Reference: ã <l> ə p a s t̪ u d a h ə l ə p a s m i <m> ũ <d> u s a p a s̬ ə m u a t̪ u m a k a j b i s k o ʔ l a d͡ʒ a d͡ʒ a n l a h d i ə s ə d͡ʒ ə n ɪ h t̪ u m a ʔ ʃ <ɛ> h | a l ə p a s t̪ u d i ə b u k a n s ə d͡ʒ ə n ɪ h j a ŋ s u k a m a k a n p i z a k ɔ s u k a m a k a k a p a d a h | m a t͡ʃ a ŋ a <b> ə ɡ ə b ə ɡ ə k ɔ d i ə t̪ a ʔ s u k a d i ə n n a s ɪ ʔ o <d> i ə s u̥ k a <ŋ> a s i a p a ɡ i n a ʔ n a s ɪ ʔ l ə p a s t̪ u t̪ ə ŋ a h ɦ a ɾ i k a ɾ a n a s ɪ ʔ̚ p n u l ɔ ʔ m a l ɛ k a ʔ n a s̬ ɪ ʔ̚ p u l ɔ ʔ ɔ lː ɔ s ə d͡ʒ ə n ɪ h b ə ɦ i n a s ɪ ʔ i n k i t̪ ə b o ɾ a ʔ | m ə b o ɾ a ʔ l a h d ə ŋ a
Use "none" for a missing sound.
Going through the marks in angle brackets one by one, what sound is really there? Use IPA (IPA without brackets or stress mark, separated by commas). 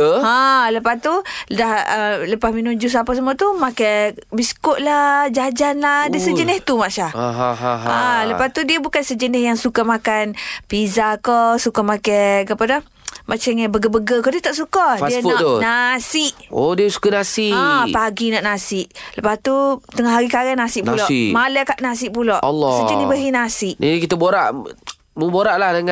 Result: l, n, d͡ʒ, a, b, d, n